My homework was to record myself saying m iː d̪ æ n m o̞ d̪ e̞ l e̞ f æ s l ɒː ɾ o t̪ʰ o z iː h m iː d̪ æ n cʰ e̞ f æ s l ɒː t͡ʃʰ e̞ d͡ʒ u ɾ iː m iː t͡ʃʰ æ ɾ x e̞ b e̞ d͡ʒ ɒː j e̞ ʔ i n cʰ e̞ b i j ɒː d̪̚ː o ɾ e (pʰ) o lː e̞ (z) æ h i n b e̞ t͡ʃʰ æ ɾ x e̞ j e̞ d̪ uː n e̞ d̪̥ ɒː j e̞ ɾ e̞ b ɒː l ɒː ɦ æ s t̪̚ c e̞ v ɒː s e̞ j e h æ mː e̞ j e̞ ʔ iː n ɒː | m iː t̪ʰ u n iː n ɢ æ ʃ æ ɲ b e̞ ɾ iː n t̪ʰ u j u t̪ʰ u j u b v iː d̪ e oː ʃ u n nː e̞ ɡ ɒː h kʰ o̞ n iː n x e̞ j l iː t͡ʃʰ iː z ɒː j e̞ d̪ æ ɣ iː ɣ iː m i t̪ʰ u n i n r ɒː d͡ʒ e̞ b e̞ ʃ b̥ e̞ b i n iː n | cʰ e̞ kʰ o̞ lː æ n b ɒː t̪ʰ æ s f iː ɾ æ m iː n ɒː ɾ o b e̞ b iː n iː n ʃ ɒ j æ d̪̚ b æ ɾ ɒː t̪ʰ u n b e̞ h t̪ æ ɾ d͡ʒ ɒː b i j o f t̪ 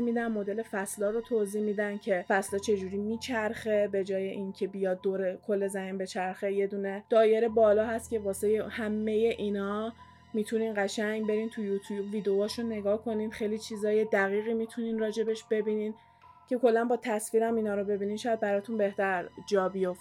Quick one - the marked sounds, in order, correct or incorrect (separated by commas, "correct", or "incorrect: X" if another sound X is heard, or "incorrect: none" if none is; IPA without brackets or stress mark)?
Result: incorrect: kʰ, correct